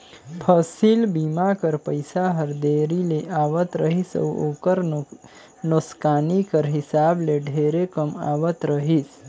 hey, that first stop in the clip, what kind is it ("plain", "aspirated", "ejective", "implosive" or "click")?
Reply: aspirated